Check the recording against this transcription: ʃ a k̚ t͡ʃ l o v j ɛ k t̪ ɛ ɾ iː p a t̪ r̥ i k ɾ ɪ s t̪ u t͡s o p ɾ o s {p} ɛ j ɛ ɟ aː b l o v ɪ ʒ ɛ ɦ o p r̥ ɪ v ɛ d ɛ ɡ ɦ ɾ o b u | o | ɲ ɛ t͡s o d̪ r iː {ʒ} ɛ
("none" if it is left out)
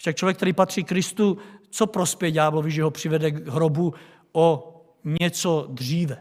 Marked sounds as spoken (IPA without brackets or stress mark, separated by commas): p, v